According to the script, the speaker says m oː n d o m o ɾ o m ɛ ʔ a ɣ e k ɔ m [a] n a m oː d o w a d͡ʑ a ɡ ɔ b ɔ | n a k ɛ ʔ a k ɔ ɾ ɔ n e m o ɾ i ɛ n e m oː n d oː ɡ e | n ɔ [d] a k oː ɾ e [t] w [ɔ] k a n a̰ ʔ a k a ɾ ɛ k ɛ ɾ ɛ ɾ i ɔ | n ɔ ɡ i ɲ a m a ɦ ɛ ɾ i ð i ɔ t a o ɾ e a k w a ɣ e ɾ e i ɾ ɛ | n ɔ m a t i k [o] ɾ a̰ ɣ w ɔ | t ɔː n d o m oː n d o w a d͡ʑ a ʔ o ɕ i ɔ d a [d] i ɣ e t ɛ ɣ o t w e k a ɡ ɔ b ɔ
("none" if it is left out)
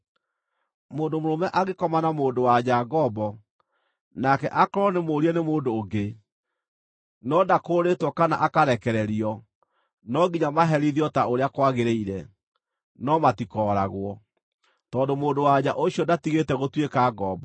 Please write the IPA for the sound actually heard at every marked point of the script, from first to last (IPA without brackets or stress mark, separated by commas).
a, d, t, ɔ, ɔ, t